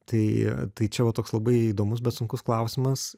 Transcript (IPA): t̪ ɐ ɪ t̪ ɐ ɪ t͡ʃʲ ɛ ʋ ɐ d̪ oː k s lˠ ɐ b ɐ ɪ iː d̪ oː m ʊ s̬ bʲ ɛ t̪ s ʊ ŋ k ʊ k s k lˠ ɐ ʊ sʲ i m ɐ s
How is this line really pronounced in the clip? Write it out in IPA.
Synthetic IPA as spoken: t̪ ɐ ɪ t̪ ɐ ɪ t͡ʃʲ ɛ ʋ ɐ t̪ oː k s lˠ ɐ b ɐ ɪ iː d̪ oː m ʊ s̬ bʲ ɛ t̪ s ʊ ŋ k ʊ s k lˠ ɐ ʊ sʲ ɪ m ɐ s